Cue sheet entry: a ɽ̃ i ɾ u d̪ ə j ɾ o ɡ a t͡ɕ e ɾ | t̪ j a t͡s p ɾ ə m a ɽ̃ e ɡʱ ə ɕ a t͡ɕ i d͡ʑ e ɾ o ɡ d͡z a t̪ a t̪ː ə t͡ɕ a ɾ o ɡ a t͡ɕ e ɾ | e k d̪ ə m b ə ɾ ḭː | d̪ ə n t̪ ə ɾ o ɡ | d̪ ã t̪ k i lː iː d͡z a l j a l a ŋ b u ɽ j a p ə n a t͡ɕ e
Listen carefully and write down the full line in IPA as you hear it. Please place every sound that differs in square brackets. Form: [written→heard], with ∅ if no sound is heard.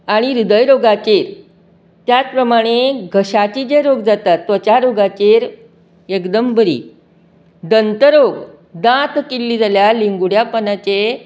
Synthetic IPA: a ɽ̃ i ɾ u d̪ ə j ɾ o ɡ a t͡ɕ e ɾ | t̪ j a t͡s p ɾ ə m a ɽ̃ e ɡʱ ə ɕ a t͡ɕ i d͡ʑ e ɾ o ɡ d͡z a t̪ a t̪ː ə t͡ɕ a ɾ o ɡ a t͡ɕ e ɾ | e k d̪ ə m b ə ɾ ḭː | d̪ ə n t̪ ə ɾ o ɡ | d̪ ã t̪ k i lː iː d͡z a l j a l [a→i] ŋ [b→ɡ] u ɽ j a p ə n a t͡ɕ e